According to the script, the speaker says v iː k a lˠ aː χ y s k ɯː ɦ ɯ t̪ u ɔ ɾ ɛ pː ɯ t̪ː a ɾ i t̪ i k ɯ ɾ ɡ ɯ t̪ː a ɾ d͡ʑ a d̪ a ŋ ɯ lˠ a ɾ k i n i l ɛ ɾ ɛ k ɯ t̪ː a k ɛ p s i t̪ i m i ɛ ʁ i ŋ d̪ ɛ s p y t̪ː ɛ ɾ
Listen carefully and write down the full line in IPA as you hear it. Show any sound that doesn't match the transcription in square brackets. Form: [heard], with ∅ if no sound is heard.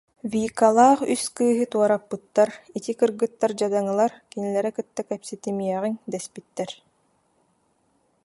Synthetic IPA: v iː k a lˠ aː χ y s k ɯː ɦ ɯ t̪ u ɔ ɾ [a] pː ɯ t̪ː a ɾ i t̪ i k ɯ ɾ ɡ ɯ t̪ː a ɾ d͡ʑ a d̪ a ŋ ɯ lˠ a ɾ k i n i l ɛ ɾ ɛ k ɯ t̪ː a k ɛ p s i t̪ i m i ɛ ʁ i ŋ d̪ ɛ s p [i] t̪ː ɛ ɾ